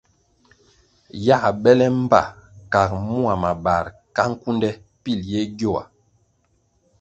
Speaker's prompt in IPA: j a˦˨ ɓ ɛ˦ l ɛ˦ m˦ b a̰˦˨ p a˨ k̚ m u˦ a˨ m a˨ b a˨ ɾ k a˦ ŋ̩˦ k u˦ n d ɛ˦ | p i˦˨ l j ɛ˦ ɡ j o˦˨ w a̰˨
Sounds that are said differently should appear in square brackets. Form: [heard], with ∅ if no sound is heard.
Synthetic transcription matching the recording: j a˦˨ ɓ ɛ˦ l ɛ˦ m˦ b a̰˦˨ [k] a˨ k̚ m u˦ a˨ m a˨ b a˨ ɾ k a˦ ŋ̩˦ k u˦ n d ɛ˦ | p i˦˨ l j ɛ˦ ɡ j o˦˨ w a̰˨